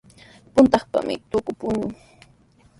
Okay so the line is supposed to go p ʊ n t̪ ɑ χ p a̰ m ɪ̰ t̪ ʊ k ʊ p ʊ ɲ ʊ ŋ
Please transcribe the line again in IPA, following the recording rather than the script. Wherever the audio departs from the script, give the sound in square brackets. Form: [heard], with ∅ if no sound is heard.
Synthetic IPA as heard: p ʊ n t̪ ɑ χ p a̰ m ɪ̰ t̪ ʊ k ʊ p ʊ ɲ ʊ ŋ